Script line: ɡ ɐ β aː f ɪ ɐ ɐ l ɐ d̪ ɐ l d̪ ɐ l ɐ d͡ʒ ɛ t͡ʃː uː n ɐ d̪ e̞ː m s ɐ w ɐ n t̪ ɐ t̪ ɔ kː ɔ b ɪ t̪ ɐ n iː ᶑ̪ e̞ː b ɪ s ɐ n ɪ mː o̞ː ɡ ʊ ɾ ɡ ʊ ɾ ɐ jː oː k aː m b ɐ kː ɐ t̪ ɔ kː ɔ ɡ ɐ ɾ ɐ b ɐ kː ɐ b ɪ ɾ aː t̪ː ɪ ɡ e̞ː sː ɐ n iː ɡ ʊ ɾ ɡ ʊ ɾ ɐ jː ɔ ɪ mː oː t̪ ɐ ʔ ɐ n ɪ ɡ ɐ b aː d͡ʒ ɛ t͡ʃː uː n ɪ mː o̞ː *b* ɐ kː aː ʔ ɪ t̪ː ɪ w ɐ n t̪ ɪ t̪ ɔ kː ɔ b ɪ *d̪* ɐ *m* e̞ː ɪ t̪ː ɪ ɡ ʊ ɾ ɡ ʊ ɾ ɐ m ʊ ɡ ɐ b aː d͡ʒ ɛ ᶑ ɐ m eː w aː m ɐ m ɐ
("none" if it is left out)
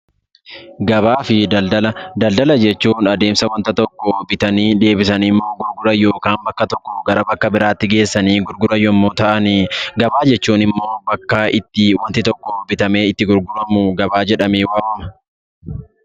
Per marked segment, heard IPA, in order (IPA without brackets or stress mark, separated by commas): b, t̪, m